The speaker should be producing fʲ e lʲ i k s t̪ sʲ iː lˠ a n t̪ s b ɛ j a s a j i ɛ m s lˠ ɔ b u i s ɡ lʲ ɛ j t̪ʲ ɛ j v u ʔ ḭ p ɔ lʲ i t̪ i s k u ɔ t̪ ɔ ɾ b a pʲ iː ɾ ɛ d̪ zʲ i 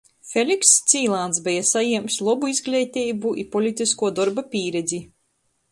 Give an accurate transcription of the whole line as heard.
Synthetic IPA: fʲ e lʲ i k s t̪ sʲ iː lˠ a n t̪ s b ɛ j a s a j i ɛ m s lˠ ɔ b u i z ɡ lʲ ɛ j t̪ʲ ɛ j b u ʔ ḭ p ɔ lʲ i t̪ i s k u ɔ d̪ ɔ ɾ b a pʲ iː ɾ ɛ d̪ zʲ i

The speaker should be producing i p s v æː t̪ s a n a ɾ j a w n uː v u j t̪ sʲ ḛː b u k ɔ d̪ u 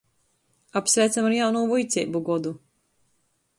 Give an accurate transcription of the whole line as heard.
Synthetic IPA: a p s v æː t̪ s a m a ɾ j a w n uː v u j t̪ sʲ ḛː b u ɡ ɔ d̪ u

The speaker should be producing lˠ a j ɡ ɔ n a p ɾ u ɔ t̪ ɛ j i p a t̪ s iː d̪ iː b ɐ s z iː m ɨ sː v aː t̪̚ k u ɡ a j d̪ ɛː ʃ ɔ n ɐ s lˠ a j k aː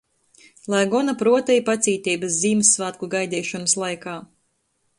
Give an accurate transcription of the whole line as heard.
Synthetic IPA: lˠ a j ɡ ɔ n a p ɾ u ɔ t̪ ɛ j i p a t̪ s iː t̪ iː b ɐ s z iː m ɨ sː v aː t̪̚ k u ɡ a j d̪ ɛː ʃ ɔ n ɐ s lˠ a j k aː

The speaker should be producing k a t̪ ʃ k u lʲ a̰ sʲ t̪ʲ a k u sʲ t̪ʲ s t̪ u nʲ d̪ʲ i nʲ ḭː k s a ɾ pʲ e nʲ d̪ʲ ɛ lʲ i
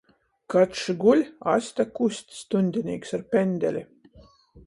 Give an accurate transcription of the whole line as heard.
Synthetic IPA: k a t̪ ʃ ɡ u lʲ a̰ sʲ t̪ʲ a k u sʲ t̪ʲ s t̪ u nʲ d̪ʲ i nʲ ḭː k s a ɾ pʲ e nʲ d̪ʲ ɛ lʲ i

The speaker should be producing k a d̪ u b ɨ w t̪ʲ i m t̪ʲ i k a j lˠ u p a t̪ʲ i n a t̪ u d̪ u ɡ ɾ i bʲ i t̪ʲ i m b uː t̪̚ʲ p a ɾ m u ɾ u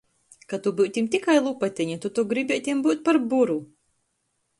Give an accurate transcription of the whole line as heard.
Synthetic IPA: k a t̪ u b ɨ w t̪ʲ i m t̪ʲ i k a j lˠ u p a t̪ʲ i ɲ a t̪ u t̪ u ɡ ɾ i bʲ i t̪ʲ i m b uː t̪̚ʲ p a ɾ b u ɾ u

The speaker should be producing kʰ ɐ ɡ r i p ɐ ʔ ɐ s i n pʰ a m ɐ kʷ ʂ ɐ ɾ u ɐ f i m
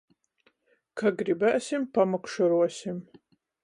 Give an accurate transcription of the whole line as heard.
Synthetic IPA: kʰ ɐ ɡ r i b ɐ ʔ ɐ s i m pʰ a m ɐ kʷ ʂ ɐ ɾ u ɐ s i m

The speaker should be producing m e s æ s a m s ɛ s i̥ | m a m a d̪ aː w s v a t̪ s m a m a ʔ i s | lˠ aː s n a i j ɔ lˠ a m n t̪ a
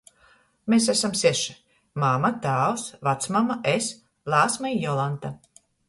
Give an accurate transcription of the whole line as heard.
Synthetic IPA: m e s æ s a m s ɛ ʃ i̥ | m a m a t̪ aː w s v a t̪ s m a m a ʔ e s | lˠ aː s m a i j ɔ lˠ a n t̪ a

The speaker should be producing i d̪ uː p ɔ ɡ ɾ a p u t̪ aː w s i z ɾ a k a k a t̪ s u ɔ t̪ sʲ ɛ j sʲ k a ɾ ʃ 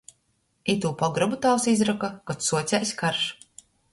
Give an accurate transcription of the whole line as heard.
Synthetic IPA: i t̪ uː p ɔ ɡ ɾ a b u t̪ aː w s i z ɾ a k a k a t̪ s u ɔ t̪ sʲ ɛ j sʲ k a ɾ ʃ

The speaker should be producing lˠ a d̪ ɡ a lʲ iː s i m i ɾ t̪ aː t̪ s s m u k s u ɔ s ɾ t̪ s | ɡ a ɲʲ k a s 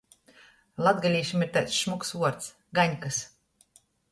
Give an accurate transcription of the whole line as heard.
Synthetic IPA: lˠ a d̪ ɡ a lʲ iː ʃ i m i ɾ t̪ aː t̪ s ʃ m u k s u ɔ ɾ t̪ s | ɡ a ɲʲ k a s

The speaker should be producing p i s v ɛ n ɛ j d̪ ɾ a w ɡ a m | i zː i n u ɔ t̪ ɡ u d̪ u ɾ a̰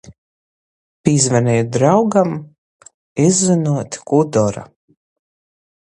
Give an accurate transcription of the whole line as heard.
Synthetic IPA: p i z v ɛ n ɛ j d̪ ɾ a w ɡ a m | i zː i n u ɔ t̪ k u d̪ ɔ ɾ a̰

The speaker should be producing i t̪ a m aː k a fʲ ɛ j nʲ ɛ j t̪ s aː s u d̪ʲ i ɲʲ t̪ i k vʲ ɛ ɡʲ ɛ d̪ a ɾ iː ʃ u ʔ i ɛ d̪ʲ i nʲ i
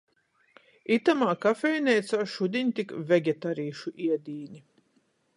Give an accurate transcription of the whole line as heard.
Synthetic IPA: i t̪ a m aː k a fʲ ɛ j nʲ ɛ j t̪ s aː ʃ u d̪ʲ i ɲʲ t̪ i k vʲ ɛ ɡʲ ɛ t̪ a ɾ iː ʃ u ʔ i ɛ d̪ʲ iː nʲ i

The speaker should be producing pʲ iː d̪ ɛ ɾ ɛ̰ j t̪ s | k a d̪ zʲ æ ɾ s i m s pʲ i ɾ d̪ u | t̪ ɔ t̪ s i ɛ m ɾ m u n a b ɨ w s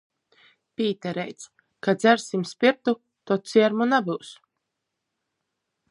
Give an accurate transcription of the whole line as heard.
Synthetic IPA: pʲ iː t̪ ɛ ɾ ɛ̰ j t̪ s | k a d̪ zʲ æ ɾ s i m s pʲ i ɾ t̪ u | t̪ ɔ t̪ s i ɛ ɾ m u n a b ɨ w s

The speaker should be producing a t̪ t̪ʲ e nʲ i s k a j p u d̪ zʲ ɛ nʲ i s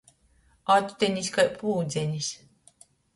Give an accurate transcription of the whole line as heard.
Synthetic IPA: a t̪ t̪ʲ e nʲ i s k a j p uː d̪ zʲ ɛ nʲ i s

